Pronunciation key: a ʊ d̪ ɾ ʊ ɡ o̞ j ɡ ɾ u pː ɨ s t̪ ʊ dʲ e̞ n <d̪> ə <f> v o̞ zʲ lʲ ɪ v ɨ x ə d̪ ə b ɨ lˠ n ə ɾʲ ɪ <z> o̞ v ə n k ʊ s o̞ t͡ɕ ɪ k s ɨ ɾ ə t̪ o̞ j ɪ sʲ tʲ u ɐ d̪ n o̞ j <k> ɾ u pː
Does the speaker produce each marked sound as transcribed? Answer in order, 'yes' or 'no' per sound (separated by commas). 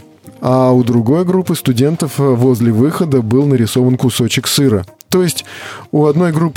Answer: no, yes, no, no